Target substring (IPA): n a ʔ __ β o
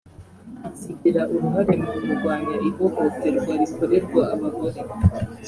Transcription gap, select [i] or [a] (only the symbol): i